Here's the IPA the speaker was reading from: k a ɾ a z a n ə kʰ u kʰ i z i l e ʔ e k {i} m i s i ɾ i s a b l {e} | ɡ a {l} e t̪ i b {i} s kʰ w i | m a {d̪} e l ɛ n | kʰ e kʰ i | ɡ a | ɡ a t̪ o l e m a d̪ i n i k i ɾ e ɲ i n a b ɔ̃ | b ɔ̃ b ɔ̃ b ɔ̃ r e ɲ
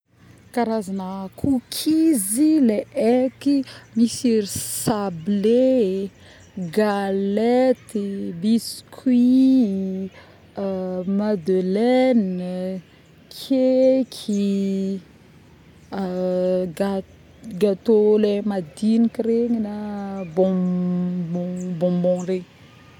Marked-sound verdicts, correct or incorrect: correct, correct, correct, correct, correct

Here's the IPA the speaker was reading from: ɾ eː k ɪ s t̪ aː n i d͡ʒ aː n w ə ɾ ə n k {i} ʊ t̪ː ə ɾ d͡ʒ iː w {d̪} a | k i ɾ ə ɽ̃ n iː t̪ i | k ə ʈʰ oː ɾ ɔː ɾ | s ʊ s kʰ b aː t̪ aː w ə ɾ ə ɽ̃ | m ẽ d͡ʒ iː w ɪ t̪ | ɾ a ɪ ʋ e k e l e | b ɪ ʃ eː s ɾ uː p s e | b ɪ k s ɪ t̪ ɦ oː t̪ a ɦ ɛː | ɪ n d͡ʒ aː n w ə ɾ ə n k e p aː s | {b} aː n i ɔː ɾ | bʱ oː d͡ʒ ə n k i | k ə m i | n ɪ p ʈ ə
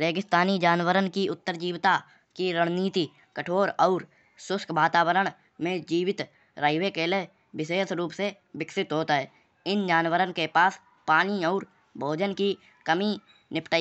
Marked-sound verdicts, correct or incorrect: correct, incorrect: t̪, incorrect: p

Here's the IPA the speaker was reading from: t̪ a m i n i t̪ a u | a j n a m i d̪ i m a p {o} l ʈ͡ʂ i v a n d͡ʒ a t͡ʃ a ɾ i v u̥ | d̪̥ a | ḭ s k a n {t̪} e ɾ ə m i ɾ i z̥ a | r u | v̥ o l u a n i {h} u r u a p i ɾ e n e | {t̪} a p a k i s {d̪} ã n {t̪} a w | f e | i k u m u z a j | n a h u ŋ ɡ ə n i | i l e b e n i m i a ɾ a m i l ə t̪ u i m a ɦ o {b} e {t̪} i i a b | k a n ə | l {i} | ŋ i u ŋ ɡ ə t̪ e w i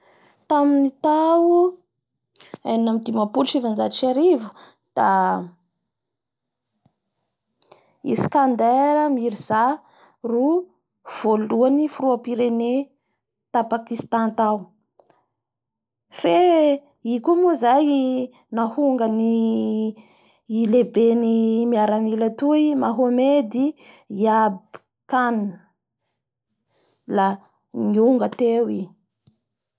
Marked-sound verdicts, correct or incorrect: incorrect: u, incorrect: d̪, incorrect: f, correct, incorrect: t̪, correct, incorrect: m, incorrect: d̪, incorrect: a

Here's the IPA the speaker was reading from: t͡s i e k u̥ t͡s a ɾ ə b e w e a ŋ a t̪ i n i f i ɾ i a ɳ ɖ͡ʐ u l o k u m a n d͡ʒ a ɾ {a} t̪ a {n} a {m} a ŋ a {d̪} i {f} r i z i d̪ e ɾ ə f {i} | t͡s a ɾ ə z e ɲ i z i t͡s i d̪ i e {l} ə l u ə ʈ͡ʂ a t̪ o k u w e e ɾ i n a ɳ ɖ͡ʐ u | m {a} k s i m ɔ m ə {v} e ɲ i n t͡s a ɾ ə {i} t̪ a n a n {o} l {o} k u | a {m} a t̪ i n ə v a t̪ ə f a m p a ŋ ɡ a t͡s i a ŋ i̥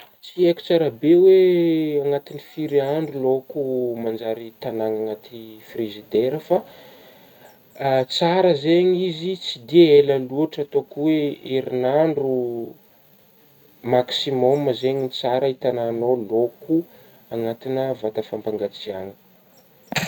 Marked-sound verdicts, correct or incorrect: incorrect: i, correct, incorrect: ŋ, incorrect: t̪, correct, incorrect: a, correct, correct, incorrect: z, correct, correct, correct, incorrect: ŋ

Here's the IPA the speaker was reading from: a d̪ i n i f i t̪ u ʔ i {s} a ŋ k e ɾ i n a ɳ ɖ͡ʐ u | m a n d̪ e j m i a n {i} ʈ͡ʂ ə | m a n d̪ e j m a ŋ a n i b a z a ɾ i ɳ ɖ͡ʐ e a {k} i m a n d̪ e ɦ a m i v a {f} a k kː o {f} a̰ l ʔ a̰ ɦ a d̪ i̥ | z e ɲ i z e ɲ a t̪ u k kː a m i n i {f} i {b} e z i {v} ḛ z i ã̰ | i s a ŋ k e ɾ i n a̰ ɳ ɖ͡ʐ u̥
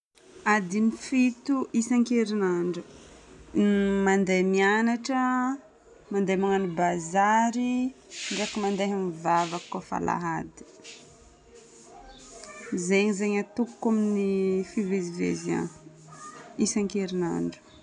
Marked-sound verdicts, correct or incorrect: correct, incorrect: a, correct, incorrect: v, correct, correct, incorrect: v, correct

